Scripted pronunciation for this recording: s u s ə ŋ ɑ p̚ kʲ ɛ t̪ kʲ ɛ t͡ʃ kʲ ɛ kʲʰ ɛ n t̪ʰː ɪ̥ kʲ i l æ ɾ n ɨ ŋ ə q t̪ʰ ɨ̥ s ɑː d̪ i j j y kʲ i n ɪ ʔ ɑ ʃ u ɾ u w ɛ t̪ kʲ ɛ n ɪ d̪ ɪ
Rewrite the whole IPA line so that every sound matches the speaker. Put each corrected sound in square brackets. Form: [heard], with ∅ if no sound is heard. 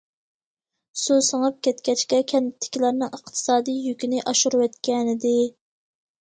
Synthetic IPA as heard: s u s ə ŋ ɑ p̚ kʲ ɛ t̪ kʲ ɛ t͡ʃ kʲ ɛ kʲʰ ɛ n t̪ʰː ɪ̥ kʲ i l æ ɾ n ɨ ŋ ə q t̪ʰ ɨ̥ s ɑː d̪ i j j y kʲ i n ɪ ʔ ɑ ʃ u ɾ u w ɛ t̪ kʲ ɛ n ɪ d̪ ɪ